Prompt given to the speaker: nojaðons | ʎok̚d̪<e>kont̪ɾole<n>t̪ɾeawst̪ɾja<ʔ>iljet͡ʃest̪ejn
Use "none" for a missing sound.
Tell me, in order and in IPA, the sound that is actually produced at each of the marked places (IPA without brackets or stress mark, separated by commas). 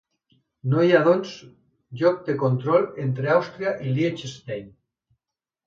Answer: e, n, ʔ